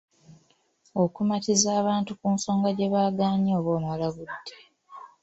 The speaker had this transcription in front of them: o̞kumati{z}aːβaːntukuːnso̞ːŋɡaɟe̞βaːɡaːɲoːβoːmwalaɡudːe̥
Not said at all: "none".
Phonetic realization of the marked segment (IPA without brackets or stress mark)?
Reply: z